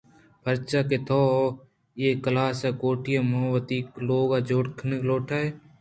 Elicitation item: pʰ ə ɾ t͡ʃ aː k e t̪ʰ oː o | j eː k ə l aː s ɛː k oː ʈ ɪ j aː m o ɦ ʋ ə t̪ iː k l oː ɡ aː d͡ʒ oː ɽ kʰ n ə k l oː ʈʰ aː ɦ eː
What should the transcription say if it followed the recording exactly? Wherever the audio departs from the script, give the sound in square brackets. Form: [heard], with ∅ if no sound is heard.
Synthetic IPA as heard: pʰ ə ɾ t͡ʃ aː k e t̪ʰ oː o | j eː k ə l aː s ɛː k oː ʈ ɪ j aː m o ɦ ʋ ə t̪ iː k l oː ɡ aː d͡ʒ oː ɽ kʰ n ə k l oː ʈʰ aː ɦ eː